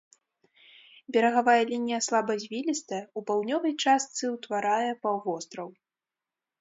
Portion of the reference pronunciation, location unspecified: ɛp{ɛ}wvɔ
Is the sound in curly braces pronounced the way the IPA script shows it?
no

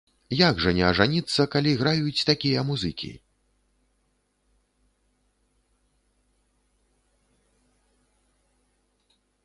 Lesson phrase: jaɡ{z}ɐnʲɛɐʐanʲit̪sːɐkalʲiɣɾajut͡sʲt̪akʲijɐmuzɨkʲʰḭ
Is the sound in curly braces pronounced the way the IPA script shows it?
no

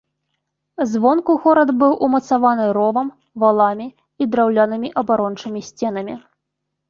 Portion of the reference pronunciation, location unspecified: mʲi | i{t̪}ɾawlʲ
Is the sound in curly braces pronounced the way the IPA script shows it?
no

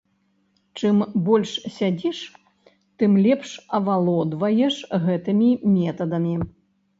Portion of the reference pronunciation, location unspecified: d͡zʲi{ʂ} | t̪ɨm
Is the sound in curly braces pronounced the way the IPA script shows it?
yes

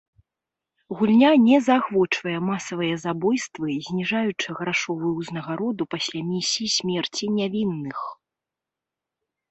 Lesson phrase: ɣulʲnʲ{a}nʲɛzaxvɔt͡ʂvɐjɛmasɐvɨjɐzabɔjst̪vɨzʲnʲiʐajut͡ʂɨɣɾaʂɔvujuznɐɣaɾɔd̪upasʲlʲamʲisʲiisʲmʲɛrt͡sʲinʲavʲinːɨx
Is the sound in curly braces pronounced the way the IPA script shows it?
yes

